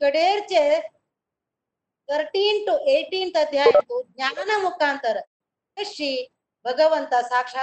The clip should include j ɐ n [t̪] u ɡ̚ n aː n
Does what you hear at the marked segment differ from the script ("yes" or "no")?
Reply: no